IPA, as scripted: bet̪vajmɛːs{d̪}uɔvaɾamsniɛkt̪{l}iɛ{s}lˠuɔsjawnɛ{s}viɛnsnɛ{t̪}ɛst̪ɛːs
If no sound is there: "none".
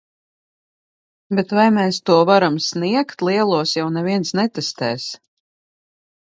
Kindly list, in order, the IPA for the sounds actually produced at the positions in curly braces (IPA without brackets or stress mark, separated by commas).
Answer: t̪, l, none, none, t̪